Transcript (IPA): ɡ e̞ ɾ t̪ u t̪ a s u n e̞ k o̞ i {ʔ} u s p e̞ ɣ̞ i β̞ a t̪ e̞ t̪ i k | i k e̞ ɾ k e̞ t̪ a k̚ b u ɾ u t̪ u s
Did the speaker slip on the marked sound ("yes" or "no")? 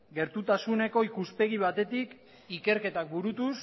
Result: yes